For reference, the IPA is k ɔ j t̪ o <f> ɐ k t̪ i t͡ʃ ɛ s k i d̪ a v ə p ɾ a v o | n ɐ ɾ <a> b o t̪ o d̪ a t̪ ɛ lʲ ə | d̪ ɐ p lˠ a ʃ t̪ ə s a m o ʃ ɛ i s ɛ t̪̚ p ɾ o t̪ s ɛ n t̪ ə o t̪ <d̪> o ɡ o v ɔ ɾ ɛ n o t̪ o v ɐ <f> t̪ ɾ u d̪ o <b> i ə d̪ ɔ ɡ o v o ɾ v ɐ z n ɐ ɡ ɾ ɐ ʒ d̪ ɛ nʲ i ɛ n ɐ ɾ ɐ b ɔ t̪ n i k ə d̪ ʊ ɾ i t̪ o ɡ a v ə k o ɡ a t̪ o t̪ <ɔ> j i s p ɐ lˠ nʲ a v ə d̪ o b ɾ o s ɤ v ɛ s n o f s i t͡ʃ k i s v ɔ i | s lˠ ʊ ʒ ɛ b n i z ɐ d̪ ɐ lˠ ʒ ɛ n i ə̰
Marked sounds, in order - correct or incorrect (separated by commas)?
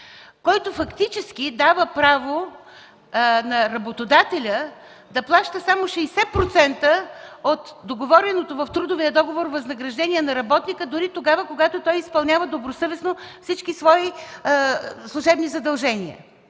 correct, incorrect, correct, correct, incorrect, correct